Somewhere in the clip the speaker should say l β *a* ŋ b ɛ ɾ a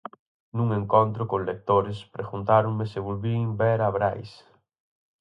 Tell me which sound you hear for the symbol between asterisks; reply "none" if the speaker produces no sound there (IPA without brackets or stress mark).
i